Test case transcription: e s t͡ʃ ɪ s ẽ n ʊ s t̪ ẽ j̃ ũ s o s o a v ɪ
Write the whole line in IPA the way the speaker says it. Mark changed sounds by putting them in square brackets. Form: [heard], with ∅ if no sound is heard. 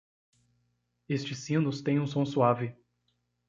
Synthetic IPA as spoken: e s t͡ʃ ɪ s [ĩ] n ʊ s t̪ ẽ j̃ ũ s [õ] s [u] a v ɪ